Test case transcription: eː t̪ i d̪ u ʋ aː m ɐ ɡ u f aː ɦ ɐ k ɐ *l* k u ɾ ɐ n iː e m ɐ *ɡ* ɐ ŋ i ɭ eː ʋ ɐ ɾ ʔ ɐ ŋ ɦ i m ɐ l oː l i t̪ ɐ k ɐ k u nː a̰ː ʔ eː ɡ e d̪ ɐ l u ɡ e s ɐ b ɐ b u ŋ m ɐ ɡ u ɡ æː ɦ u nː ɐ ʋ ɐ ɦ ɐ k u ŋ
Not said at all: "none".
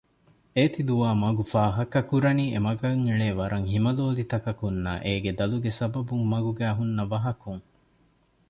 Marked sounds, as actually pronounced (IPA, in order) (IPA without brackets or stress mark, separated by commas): none, ɡ